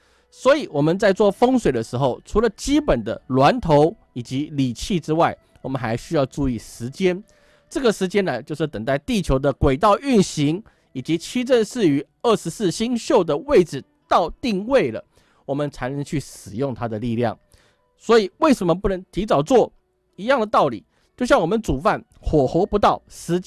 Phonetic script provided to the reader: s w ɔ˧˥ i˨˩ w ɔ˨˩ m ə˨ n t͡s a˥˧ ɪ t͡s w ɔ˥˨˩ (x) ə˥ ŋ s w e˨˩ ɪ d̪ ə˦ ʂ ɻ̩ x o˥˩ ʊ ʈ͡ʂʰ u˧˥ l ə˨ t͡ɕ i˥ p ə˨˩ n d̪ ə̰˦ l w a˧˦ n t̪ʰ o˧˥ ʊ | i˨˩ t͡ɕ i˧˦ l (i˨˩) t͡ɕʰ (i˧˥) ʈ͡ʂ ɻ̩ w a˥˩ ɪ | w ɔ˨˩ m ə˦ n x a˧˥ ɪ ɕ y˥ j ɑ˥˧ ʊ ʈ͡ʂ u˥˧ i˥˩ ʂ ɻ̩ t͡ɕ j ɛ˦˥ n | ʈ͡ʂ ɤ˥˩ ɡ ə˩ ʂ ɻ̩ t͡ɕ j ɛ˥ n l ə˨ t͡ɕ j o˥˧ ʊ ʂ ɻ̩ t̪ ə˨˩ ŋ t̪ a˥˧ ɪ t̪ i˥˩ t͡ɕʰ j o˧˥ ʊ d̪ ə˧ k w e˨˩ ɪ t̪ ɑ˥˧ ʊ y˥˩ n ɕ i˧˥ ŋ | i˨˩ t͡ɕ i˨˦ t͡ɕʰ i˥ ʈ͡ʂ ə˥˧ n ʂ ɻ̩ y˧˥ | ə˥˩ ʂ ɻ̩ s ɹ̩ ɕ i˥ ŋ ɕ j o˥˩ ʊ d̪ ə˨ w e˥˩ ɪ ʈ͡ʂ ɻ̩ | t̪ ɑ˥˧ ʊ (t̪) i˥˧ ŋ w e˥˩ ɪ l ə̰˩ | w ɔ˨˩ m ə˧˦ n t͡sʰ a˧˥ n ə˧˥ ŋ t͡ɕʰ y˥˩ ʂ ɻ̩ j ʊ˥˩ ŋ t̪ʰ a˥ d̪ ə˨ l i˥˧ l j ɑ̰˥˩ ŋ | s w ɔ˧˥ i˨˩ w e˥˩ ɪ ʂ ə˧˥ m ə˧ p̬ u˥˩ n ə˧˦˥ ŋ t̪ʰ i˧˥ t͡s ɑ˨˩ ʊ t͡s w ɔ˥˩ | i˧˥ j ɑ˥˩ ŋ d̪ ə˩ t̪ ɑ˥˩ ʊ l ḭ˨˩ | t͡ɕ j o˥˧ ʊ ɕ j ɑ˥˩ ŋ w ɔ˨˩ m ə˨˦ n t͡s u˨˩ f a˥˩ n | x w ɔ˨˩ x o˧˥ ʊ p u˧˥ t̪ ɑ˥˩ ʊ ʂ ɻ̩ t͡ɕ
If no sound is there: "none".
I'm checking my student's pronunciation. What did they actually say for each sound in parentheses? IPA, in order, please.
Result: f, i˨˩, i˥˩, t̪

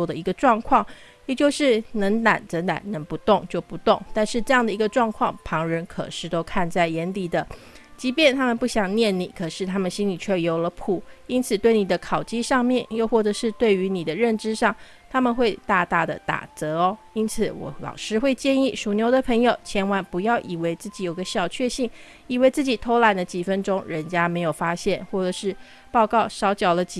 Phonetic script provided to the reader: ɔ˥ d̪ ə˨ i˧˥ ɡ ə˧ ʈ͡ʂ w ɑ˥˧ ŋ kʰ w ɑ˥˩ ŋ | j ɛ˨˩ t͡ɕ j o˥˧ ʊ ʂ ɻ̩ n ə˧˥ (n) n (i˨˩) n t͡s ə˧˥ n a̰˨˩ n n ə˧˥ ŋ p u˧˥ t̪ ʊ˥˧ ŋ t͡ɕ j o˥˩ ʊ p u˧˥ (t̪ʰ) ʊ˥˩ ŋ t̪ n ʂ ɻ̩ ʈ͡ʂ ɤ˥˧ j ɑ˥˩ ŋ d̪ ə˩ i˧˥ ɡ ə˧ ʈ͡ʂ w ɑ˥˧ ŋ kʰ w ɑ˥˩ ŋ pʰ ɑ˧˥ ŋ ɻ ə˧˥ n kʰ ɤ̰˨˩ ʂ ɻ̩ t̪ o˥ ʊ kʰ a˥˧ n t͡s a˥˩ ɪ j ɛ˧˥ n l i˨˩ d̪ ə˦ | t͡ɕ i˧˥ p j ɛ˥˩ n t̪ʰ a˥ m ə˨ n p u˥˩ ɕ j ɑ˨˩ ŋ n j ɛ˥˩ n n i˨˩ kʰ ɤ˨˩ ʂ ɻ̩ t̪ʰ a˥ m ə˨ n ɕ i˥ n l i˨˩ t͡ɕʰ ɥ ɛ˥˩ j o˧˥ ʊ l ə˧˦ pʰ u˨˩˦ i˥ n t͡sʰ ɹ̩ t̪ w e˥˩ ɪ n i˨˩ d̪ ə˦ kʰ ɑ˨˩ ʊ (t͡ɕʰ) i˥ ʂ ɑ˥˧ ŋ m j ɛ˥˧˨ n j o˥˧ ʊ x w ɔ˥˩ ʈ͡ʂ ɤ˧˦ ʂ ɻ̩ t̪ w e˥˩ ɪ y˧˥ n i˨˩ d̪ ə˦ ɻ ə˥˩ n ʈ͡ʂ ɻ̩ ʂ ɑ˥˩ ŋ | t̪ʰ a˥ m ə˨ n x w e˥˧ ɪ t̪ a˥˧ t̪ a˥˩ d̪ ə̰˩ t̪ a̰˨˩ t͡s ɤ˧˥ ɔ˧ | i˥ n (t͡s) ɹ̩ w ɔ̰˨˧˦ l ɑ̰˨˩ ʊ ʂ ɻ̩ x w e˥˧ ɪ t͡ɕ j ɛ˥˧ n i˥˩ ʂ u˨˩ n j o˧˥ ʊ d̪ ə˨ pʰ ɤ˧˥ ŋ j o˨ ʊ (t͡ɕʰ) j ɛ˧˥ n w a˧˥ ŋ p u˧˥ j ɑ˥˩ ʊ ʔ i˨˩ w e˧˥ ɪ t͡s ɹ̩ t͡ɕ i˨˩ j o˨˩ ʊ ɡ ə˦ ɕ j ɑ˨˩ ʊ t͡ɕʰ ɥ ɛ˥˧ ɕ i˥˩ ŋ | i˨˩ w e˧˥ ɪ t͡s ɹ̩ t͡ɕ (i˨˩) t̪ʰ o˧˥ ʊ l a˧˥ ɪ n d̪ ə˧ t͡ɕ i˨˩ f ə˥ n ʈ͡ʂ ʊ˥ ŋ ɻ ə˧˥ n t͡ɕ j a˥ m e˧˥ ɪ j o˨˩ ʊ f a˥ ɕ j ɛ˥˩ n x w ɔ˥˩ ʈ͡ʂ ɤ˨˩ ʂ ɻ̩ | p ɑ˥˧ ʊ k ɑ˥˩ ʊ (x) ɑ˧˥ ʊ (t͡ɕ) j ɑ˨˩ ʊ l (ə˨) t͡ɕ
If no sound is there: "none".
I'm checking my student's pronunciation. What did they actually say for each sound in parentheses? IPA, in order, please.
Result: ŋ, a˨˩, t̪, t͡ɕ, t͡sʰ, t͡ɕʰ, i˨˩, ʂ, t͡ɕ, ə˦

